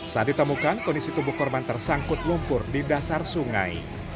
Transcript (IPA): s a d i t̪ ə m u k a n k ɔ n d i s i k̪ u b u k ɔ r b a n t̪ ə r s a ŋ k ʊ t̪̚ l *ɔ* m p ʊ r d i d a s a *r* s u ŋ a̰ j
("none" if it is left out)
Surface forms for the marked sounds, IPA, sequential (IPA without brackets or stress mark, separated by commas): u, r